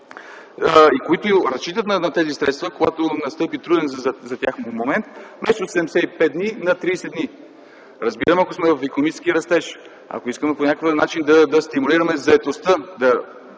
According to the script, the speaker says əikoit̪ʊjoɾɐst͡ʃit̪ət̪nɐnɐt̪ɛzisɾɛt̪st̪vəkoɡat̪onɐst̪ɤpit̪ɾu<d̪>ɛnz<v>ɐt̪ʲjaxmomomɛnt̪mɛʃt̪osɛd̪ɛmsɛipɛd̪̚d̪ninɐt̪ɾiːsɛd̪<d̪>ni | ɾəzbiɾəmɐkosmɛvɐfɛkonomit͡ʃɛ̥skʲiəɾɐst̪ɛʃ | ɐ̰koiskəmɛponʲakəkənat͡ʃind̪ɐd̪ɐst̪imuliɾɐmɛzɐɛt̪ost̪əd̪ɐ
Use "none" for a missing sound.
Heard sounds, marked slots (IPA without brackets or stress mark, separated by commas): d̪, z, d̪